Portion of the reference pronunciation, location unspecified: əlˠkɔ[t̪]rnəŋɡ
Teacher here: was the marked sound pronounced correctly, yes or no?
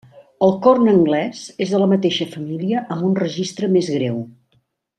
no